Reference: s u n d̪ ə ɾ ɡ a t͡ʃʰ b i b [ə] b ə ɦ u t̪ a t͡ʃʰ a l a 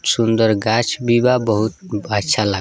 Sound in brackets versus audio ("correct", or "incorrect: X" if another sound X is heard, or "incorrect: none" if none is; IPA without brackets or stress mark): incorrect: a